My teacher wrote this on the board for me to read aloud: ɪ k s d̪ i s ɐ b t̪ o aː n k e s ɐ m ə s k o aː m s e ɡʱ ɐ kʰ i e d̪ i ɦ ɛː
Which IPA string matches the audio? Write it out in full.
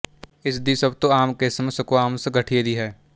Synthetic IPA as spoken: ɪ s d̪ i s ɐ b t̪ o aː m k e s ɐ m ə s k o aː m s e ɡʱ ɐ ʈʰ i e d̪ i ɦ ɛː